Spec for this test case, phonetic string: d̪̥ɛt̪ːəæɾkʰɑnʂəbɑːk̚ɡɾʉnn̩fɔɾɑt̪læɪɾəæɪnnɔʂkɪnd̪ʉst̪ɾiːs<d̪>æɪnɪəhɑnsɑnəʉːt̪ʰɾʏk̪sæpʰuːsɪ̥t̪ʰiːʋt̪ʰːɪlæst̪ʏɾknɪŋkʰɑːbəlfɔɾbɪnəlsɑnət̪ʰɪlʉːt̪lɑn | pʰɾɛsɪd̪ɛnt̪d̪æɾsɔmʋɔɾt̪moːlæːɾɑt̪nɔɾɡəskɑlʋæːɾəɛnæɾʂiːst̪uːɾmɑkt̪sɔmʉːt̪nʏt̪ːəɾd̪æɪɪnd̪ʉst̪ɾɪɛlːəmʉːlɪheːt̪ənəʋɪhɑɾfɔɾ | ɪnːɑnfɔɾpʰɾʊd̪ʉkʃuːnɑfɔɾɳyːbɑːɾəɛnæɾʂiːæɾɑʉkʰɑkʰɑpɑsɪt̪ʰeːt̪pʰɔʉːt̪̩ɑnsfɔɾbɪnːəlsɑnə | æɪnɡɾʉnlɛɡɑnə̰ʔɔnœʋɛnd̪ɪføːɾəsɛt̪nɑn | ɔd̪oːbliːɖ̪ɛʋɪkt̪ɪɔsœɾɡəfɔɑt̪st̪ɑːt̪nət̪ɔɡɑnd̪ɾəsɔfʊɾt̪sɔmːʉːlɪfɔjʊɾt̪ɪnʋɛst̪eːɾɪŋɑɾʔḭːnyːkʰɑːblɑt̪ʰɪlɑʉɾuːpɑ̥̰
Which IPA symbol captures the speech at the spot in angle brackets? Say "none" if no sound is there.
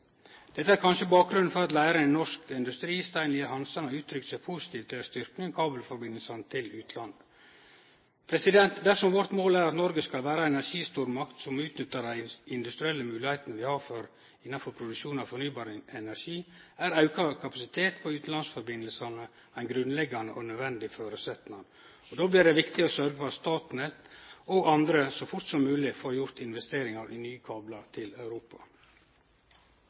t̪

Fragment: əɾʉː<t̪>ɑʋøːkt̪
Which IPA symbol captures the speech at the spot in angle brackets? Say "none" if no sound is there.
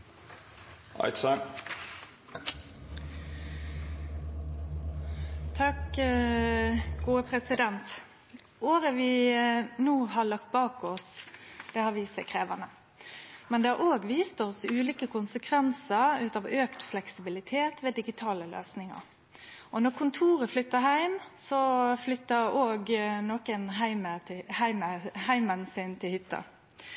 t̪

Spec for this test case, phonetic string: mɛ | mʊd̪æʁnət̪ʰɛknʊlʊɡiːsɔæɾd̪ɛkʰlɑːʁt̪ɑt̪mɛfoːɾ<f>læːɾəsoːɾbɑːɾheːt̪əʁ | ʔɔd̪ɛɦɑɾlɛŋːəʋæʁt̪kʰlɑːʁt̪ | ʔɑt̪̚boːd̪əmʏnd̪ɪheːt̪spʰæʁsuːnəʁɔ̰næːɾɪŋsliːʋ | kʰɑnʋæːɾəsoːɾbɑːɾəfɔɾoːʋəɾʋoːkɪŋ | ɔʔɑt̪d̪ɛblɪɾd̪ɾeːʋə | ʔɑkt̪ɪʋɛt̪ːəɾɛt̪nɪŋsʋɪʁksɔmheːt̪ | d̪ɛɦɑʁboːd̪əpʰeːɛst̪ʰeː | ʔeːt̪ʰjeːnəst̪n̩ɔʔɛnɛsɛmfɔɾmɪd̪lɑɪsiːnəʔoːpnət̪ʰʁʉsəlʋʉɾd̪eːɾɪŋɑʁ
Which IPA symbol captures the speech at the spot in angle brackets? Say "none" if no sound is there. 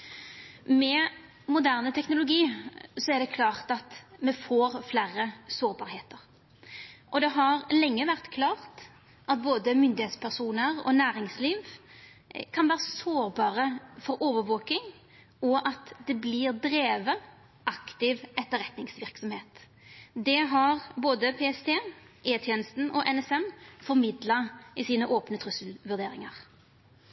f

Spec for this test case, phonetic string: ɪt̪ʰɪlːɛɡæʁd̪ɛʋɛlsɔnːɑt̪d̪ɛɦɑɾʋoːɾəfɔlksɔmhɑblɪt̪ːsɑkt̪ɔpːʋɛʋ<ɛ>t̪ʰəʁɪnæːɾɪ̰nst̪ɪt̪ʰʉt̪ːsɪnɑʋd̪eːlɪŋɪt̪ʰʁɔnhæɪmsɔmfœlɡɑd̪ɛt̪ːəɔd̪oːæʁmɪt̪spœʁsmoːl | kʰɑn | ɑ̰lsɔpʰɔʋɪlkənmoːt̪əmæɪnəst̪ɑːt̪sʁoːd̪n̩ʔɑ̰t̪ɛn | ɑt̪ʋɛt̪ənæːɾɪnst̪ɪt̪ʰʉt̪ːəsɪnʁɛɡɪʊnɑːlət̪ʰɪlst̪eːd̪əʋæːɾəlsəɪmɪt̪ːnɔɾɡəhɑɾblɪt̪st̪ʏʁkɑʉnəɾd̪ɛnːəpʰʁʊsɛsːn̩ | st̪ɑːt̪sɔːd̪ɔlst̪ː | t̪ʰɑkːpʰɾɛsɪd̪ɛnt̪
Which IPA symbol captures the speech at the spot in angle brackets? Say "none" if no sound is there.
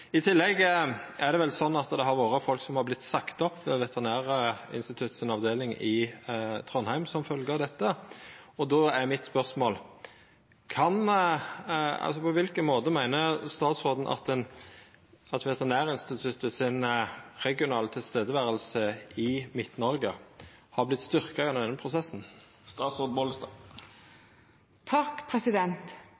ɛ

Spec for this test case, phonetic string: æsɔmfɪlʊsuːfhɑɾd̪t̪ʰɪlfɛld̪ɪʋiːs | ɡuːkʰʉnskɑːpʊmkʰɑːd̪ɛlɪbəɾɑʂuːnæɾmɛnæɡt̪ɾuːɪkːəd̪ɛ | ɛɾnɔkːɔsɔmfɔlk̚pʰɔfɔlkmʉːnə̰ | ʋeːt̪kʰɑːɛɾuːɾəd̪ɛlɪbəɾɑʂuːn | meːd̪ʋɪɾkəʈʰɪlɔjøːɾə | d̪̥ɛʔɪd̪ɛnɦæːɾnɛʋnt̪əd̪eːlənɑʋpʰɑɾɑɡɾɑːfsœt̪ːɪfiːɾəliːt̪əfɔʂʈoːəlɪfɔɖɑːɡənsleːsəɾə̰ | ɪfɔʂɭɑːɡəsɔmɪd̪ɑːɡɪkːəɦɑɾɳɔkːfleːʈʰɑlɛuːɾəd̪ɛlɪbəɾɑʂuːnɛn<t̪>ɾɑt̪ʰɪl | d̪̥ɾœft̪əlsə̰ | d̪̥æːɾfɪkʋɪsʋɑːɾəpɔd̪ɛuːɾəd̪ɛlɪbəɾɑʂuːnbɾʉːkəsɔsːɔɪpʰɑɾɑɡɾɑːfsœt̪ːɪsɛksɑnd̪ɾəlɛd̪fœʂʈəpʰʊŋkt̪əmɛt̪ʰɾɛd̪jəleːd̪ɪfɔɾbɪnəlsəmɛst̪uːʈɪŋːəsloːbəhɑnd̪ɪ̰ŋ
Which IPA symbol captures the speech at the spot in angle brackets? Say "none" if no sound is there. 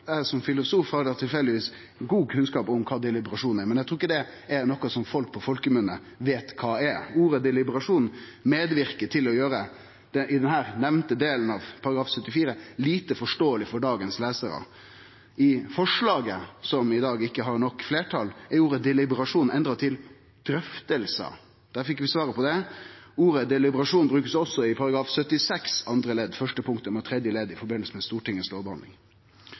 d̪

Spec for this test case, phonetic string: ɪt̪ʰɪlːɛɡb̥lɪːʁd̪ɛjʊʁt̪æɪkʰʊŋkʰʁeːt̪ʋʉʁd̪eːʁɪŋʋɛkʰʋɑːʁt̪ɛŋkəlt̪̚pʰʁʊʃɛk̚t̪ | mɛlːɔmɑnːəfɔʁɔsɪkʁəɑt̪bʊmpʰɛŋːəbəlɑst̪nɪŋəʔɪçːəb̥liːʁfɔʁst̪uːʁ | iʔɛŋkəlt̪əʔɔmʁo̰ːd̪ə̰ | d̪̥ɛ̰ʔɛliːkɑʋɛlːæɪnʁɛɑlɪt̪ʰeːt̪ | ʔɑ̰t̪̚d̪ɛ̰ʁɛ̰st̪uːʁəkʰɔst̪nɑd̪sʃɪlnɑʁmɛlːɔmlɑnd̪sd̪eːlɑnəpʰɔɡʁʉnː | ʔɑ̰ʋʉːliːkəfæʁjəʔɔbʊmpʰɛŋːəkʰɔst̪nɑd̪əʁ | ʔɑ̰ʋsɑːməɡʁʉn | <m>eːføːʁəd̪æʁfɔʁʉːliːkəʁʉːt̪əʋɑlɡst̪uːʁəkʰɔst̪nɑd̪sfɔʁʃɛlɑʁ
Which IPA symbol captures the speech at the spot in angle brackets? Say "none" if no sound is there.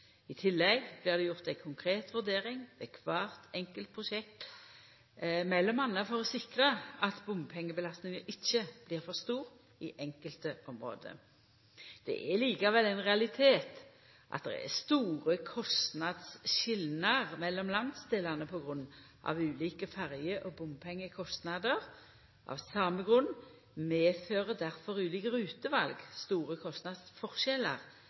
m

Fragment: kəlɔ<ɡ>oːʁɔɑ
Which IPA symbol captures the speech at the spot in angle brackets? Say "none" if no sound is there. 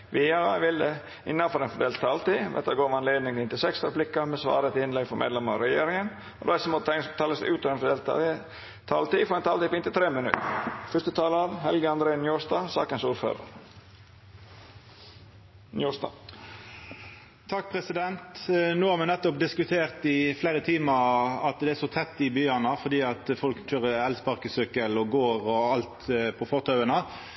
ɡ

